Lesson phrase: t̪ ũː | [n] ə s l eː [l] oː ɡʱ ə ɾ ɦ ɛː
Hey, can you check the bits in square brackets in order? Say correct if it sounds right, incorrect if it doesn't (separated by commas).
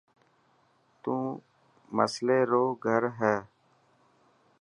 incorrect, incorrect